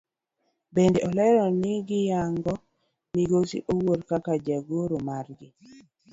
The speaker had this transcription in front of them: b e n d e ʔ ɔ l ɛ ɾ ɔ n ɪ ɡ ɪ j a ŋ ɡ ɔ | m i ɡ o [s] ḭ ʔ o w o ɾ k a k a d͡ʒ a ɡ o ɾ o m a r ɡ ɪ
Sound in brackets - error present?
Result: no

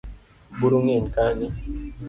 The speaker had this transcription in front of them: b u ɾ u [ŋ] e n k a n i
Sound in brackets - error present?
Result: no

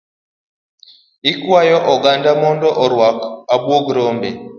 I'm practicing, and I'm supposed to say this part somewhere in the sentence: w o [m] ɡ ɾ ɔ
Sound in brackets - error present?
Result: yes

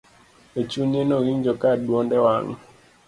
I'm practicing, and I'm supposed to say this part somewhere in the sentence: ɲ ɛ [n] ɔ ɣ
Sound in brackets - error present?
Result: no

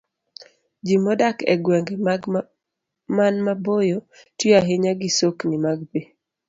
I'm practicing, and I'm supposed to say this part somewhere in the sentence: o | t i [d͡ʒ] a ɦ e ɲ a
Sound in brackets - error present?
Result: yes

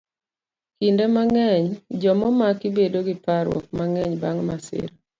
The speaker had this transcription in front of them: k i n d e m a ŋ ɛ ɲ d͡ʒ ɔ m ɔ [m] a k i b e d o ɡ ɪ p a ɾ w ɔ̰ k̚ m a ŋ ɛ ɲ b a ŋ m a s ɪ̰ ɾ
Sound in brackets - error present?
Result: no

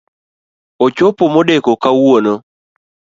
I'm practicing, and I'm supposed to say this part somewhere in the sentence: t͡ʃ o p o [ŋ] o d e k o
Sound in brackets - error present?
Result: yes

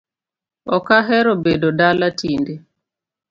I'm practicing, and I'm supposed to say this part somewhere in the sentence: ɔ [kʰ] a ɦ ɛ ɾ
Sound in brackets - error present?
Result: yes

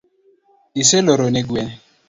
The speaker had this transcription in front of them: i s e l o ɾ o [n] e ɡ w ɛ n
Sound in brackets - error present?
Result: no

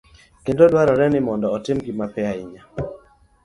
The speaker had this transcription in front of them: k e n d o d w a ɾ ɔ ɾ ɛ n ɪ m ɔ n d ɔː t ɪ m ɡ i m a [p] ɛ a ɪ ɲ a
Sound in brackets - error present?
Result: no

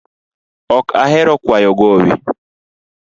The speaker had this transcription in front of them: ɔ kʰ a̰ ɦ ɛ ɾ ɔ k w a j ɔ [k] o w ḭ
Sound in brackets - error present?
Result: yes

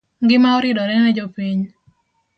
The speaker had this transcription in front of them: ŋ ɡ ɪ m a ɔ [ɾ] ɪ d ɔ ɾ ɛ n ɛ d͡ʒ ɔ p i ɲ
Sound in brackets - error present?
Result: no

